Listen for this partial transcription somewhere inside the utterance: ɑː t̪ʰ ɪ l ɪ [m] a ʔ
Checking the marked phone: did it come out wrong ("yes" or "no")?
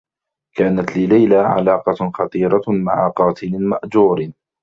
no